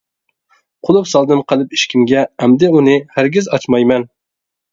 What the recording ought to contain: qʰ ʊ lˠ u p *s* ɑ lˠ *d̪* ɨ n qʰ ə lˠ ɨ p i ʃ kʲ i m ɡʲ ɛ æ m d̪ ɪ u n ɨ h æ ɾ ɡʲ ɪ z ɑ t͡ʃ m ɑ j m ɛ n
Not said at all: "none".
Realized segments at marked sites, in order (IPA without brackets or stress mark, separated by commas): s, d̪